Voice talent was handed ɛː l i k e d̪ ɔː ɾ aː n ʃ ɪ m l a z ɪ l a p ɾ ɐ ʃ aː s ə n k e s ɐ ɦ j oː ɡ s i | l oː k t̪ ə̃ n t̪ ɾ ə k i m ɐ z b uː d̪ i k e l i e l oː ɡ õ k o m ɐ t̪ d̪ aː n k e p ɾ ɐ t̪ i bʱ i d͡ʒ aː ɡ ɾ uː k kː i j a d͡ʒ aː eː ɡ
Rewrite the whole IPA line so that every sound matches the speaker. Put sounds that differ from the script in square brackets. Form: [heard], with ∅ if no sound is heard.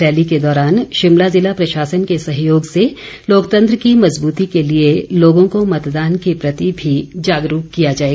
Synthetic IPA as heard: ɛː l i k e d̪ ɔː ɾ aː n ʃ ɪ m l a z ɪ l a p ɾ ɐ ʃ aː s ə n k e s ɐ ɦ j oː ɡ s [e] | l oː k t̪ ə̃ n t̪ ɾ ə k i m ɐ z b uː [t̪] i k e l i e l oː ɡ õ k o m ɐ t̪ d̪ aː n k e p ɾ ɐ t̪ i bʱ i d͡ʒ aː ɡ ɾ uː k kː i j a d͡ʒ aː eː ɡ